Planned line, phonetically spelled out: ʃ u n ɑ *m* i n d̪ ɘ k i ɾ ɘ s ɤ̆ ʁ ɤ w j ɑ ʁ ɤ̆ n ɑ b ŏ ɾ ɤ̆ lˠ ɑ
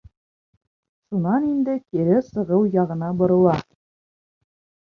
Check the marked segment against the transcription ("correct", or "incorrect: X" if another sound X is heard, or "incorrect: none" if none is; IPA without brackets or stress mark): incorrect: n